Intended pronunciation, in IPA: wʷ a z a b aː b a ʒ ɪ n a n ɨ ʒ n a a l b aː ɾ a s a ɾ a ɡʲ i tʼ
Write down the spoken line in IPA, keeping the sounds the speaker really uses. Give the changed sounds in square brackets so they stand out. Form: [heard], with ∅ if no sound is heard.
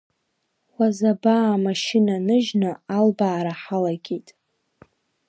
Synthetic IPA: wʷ a z a b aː [m] a [ʃ] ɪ n a n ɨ ʒ n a a l b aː ɾ a [ħ] a [l] a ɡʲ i tʼ